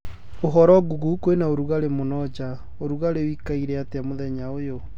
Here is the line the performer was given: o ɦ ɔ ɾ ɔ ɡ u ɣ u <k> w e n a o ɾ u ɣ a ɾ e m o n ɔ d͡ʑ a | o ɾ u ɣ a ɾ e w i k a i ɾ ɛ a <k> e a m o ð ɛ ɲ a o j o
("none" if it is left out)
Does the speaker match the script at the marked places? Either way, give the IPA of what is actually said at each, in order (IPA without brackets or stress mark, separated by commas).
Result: k, t